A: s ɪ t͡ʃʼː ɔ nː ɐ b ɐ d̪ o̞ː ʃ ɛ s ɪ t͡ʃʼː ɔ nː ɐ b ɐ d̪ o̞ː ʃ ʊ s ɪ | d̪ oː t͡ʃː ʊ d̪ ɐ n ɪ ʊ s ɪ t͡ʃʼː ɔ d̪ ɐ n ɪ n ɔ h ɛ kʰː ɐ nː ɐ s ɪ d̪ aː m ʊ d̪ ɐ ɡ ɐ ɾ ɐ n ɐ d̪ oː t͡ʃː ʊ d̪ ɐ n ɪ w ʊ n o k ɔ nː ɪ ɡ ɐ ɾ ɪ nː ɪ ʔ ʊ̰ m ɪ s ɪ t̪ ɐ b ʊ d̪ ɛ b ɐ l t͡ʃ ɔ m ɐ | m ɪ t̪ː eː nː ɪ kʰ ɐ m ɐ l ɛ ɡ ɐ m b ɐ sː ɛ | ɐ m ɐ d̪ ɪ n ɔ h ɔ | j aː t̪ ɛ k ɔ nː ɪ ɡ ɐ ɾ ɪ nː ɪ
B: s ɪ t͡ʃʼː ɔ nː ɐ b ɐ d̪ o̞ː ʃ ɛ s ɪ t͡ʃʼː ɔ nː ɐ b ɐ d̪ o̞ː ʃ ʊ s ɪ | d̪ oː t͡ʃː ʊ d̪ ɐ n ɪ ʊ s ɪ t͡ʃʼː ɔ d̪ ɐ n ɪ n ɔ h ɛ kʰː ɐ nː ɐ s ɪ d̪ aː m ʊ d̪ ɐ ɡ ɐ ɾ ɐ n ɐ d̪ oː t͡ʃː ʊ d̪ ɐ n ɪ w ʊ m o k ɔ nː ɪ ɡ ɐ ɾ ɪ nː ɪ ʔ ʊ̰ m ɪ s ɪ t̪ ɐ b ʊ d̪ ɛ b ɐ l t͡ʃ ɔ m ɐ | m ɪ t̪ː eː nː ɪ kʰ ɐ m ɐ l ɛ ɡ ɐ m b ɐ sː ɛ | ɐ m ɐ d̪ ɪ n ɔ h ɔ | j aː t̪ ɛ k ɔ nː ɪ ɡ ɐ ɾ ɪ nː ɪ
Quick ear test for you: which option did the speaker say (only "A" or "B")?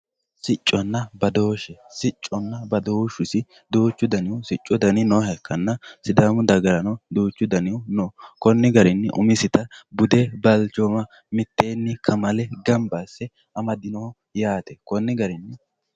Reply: A